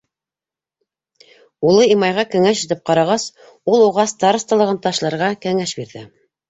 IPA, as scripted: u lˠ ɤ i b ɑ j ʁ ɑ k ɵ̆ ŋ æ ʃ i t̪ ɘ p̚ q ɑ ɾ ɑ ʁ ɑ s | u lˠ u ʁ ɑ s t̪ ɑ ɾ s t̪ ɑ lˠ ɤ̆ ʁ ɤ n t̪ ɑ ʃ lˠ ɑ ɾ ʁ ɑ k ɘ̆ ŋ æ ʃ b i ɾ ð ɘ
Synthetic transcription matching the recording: u lˠ ɤ i m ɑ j ʁ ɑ k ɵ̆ ŋ æ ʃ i t̪ ɘ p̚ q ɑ ɾ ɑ ʁ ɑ s | u lˠ u ʁ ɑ s t̪ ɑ ɾ s t̪ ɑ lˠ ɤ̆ ʁ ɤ n t̪ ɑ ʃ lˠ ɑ ɾ ʁ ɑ k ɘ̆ ŋ æ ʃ b i ɾ ð ɘ